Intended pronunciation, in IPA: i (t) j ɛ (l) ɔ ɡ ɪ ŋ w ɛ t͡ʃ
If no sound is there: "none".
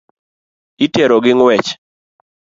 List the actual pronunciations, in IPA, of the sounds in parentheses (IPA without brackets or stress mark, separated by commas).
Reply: t, ɾ